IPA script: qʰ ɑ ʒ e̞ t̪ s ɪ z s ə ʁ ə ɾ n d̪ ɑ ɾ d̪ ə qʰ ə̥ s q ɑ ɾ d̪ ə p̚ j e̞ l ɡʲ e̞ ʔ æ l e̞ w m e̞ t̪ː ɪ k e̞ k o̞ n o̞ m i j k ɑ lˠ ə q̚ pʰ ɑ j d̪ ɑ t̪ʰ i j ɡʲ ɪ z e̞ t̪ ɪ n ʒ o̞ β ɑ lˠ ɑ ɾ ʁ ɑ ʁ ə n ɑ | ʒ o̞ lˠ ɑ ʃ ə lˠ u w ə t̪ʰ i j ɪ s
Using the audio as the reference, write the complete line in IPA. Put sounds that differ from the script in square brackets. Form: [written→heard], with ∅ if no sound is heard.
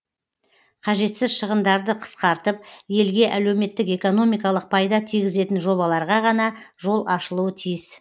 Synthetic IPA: qʰ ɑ ʒ e̞ t̪ s ɪ z [s→ʃ] ə ʁ ə [ɾ→∅] n d̪ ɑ ɾ d̪ ə qʰ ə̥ s q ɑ ɾ [d̪→t̪] ə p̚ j e̞ l ɡʲ e̞ ʔ æ l e̞ w m e̞ t̪ː ɪ k e̞ k o̞ n o̞ m i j k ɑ lˠ ə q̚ pʰ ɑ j d̪ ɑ t̪ʰ i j ɡʲ ɪ z e̞ t̪ ɪ n ʒ o̞ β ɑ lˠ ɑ ɾ ʁ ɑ ʁ [ə→ɑ] n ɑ | ʒ o̞ lˠ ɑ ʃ ə lˠ u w ə t̪ʰ i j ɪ s